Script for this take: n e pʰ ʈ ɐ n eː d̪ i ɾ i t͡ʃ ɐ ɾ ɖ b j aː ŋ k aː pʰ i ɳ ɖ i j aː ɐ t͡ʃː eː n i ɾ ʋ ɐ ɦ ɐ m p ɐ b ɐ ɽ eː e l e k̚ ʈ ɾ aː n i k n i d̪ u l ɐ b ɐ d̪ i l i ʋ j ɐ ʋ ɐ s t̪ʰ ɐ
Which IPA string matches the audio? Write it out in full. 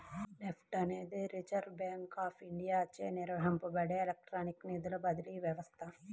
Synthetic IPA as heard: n e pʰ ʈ ɐ n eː d̪ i ɾ i t͡ʃ ɐ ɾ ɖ b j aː ŋ k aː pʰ i ɳ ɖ i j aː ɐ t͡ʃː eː n i ɾ ʋ ɐ ɦ ɐ m p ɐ b ɐ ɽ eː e l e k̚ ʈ ɾ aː n i k n i d̪ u l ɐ b ɐ d̪ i l i ʋ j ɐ ʋ ɐ s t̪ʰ ɐ